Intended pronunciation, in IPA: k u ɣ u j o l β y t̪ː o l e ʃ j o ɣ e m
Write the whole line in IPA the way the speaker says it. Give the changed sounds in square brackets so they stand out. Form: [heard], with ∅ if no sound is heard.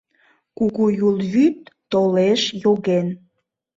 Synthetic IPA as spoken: k u ɣ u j [u] l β y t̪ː o l e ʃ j o ɣ e [n]